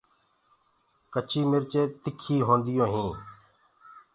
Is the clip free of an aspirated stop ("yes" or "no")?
no